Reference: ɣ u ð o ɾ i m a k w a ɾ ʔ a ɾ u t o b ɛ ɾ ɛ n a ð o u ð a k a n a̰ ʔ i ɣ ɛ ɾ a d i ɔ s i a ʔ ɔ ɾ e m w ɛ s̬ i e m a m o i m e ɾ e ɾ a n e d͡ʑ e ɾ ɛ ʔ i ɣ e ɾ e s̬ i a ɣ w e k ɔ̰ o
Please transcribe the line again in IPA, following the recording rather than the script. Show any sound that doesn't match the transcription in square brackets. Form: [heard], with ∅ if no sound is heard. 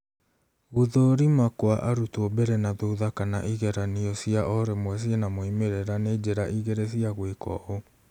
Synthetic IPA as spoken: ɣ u ð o ɾ i m a k w a [∅] ʔ a ɾ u t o b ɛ ɾ ɛ n a ð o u ð a k a n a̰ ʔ i ɣ ɛ ɾ a [n] i ɔ s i a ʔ ɔ ɾ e m w ɛ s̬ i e [n] a m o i m e ɾ e ɾ a n e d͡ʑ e ɾ [a] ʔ i ɣ e ɾ e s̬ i a ɣ w e k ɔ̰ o